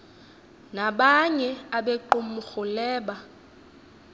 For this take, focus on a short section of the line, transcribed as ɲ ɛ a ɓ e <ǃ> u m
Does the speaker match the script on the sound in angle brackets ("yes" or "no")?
yes